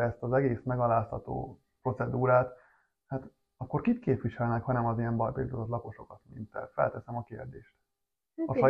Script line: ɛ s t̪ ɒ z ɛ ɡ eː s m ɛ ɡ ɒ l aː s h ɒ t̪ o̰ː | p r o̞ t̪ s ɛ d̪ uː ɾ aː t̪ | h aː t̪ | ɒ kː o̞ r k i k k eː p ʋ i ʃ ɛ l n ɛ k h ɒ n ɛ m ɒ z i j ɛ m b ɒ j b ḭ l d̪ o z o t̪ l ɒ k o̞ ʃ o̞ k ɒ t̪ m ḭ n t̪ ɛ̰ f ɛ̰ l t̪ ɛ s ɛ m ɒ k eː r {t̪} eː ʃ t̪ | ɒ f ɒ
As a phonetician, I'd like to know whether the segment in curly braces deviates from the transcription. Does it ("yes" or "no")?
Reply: yes